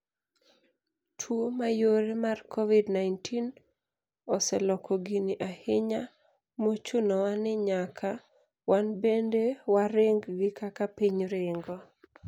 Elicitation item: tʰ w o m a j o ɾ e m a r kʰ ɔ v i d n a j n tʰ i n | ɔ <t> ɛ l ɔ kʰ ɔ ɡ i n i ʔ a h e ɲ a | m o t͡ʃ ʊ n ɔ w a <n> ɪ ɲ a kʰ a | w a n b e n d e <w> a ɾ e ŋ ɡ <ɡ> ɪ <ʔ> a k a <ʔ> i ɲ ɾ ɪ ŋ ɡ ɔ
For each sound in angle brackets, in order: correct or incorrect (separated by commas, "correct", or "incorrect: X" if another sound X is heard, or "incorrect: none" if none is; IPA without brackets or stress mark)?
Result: incorrect: s, correct, correct, correct, incorrect: k, incorrect: p